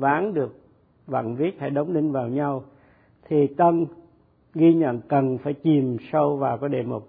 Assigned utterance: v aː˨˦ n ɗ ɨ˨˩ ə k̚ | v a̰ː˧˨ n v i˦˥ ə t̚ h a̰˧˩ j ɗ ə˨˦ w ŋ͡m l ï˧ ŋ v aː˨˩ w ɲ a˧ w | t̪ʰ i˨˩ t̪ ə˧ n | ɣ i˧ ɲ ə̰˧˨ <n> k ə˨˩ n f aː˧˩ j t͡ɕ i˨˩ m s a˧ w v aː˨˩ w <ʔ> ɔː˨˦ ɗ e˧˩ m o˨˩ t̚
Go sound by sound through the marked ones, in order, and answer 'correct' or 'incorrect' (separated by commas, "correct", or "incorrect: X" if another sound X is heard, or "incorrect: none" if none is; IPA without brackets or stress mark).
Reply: correct, incorrect: k